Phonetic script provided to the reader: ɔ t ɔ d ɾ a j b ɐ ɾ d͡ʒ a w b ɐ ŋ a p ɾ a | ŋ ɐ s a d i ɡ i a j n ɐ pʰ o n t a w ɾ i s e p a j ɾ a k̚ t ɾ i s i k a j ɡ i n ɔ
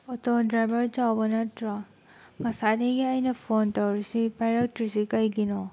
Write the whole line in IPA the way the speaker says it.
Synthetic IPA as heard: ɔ t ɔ d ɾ a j b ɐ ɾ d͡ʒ a w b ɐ n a t ɾ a | ŋ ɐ s a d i ɡ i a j n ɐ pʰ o n t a w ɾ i s i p a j ɾ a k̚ t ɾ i s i k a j ɡ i n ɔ